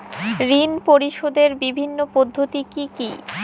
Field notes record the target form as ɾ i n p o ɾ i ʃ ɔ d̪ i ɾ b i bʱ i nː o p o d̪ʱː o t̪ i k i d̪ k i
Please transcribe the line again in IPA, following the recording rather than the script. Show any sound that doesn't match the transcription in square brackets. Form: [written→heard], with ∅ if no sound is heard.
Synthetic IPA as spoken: ɾ i n p o ɾ i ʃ [ɔ→o] d̪ [i→e] ɾ b i bʱ i nː o p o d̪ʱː o t̪ i k i [d̪→∅] k i